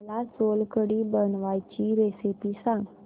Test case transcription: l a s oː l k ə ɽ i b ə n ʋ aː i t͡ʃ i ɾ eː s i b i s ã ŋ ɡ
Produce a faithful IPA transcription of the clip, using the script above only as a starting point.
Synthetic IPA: l a s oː l k ə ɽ i b ə n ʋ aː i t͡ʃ i ɾ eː s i p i s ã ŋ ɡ